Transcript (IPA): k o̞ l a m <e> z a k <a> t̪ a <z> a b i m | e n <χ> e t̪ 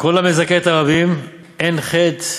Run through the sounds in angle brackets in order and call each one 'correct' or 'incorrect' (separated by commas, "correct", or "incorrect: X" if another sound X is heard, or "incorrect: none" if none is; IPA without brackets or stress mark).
correct, incorrect: e, incorrect: ʁ, correct